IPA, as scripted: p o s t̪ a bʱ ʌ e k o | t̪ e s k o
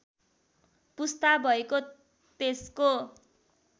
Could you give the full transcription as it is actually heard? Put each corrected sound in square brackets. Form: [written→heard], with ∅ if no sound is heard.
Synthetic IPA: p [o→u] s t̪ a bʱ ʌ e k o | t̪ e s k o

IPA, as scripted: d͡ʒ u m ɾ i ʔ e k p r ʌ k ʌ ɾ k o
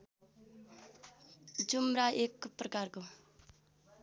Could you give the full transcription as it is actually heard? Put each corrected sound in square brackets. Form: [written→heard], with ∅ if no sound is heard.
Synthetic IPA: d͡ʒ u m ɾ [i→a] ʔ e k p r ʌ k [ʌ→a] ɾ k o

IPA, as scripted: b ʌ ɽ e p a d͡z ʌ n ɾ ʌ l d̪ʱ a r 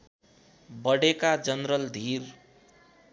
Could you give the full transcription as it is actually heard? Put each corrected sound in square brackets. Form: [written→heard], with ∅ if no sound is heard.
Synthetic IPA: b ʌ ɽ e [p→k] a d͡z ʌ n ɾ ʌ l d̪ʱ [a→i] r

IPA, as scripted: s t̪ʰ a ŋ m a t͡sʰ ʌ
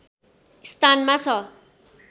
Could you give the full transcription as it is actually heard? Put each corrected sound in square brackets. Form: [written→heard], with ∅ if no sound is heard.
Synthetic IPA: s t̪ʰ a [ŋ→n] m a t͡sʰ ʌ

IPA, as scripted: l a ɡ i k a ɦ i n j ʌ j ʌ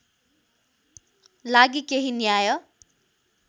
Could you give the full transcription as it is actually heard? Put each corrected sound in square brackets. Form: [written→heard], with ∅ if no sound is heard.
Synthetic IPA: l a ɡ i k [a→e] ɦ i n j [ʌ→a] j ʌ

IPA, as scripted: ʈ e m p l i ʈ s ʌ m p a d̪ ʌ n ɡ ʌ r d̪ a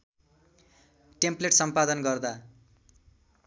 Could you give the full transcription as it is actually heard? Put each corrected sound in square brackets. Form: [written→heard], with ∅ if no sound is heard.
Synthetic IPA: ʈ e m p l [i→e] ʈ s ʌ m p a d̪ ʌ n ɡ ʌ r d̪ a

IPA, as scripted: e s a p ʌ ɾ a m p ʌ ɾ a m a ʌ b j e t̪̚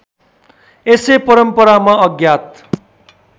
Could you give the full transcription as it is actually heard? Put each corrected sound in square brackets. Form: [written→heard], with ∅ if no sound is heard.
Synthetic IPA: e s [a→e] p ʌ ɾ [a→ʌ] m p ʌ ɾ a m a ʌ [b→ɡ] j [e→a] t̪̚

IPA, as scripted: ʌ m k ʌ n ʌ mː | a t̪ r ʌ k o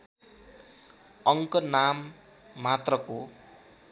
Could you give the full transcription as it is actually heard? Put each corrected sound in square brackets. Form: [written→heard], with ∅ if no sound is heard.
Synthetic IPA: ʌ [m→ŋ] k ʌ n [ʌ→a] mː | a t̪ r ʌ k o

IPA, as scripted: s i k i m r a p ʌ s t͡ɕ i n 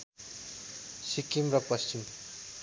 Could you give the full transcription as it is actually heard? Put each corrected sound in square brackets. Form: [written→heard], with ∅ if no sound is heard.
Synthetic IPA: s i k i m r [a→ʌ] p ʌ s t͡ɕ i [n→m]

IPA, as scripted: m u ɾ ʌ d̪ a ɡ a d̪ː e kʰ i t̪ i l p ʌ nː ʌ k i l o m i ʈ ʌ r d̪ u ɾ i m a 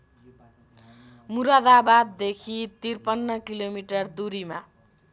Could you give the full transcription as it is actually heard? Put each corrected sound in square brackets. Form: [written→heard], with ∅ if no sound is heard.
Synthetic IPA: m u ɾ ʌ d̪ a [ɡ→b] a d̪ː e kʰ i t̪ i [l→r] p ʌ nː ʌ k i l o m i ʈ ʌ r d̪ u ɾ i m a

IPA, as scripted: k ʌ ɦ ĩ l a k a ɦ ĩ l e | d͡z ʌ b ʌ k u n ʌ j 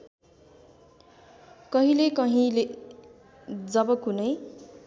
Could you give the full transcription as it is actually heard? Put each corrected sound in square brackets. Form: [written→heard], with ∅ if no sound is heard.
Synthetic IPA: k ʌ ɦ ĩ l [a→e] k [a→ʌ] ɦ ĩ l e | d͡z ʌ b ʌ k u n ʌ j

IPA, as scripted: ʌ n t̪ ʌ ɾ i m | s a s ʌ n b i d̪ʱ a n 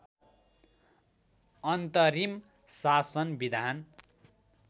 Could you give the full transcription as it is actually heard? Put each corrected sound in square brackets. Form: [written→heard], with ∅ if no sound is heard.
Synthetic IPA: ʌ n t̪ ʌ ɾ i m | s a s ʌ n b i d̪ʱ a n

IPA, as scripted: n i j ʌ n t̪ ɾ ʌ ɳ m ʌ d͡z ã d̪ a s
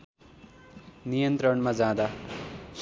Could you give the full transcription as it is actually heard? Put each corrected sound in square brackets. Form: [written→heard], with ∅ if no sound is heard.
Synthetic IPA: n i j ʌ n t̪ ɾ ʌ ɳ m [ʌ→a] d͡z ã d̪ a s

